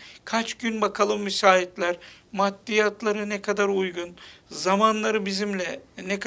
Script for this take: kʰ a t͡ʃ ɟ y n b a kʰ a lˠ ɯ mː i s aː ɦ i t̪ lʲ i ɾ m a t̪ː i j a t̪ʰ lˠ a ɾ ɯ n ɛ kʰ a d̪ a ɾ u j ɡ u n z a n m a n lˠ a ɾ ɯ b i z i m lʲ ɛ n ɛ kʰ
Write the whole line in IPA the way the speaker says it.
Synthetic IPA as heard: kʰ a t͡ʃ ɟ y n b a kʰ a lˠ ɯ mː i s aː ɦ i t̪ lʲ æ ɾ m a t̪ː i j a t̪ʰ lˠ a ɾ ɯ n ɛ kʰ a d̪ a ɾ u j ɡ u n z a m a n lˠ a ɾ ɯ b i z i m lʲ ɛ n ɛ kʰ